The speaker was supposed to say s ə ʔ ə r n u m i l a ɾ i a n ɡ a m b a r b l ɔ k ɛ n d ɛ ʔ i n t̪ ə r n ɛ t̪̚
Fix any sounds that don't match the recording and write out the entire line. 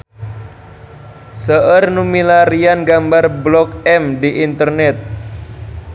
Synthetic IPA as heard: s ə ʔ ə r n u m i l a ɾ i a n ɡ a m b a r b l ɔ k ɛ m d i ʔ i n t̪ ə r n ɛ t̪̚